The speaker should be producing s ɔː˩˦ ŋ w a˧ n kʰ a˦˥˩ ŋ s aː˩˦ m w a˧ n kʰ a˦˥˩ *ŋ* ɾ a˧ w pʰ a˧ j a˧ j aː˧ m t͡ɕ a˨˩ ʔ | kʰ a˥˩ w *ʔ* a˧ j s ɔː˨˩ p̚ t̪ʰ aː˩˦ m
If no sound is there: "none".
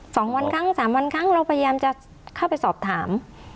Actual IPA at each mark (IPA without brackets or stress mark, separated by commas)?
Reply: ŋ, p